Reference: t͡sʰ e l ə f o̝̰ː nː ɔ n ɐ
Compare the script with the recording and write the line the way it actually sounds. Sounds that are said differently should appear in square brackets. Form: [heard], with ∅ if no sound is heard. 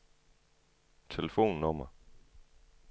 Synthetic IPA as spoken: t͡sʰ e l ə f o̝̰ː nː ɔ [m] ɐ